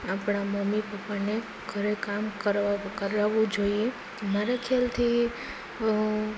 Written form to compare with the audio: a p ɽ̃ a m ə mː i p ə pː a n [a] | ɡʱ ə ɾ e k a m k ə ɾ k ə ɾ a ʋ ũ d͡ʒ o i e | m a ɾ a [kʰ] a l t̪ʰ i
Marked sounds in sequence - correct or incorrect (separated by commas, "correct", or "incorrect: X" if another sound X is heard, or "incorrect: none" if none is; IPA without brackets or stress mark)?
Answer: incorrect: e, correct